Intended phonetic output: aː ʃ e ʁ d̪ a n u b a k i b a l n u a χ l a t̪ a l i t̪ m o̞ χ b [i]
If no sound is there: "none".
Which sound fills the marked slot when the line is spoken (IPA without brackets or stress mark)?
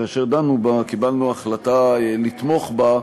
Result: a